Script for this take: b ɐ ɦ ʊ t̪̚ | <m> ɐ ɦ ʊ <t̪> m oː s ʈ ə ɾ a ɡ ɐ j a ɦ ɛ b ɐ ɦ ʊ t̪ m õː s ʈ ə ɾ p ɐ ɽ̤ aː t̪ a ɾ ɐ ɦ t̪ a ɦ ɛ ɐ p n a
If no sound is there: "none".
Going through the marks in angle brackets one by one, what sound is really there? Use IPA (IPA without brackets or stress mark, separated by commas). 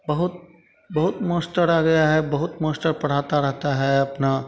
b, t̪